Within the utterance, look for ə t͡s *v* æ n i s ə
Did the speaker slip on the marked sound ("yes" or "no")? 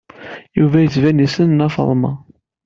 no